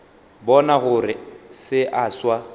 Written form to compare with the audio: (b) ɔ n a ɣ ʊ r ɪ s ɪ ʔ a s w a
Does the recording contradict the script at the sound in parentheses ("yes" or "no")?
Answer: no